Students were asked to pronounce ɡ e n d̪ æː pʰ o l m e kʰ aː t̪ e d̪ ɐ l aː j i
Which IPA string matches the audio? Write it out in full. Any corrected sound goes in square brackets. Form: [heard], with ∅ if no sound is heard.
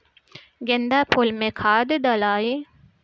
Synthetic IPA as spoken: ɡ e n d̪ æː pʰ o l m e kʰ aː [d̪] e d̪ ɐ l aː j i